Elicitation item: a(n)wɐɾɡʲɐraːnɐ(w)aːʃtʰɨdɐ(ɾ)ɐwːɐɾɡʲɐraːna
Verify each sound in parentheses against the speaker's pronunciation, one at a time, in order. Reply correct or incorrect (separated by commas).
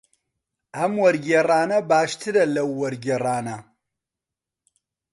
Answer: incorrect, incorrect, incorrect